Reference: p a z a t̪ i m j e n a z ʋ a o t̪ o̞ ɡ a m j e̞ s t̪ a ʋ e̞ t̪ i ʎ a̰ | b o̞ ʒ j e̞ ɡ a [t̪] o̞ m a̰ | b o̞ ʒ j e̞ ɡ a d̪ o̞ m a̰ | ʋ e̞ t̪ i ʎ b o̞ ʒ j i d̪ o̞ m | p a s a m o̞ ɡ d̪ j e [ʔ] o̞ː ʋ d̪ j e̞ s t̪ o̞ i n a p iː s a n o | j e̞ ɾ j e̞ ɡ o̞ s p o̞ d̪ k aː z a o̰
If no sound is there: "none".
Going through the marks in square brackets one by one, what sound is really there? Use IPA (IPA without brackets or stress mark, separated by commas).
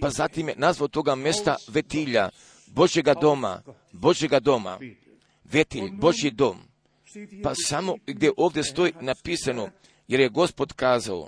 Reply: d̪, ʔ